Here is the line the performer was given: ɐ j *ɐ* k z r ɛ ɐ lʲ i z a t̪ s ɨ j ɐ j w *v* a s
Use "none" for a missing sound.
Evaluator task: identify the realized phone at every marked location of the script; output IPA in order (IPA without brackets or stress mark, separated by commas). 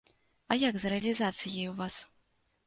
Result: a, v